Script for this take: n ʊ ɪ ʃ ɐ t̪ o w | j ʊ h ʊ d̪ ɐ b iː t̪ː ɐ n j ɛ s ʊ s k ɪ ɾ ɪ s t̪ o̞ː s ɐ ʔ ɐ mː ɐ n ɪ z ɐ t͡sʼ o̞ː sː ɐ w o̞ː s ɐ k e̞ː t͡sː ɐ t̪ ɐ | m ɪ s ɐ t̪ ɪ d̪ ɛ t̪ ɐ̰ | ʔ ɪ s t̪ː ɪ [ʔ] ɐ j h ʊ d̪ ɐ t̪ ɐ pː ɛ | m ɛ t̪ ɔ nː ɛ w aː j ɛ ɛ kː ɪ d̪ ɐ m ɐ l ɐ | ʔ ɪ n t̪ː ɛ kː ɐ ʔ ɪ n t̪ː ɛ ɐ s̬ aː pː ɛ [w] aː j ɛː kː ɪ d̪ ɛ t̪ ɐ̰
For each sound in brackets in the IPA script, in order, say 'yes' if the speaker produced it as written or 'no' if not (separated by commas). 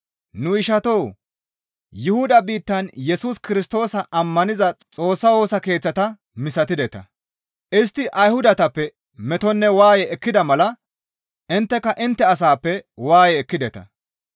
yes, yes